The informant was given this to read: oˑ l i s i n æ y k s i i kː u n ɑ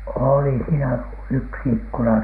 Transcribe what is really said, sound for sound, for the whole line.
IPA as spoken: oˑ l i s iː n æ y k s i i kː u n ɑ